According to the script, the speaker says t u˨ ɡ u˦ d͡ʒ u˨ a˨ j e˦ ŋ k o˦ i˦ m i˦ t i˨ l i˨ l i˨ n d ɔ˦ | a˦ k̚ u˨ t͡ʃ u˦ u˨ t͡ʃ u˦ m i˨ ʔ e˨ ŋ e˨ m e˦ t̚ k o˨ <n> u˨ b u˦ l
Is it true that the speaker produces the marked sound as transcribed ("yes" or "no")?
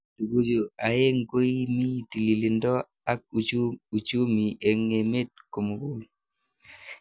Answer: no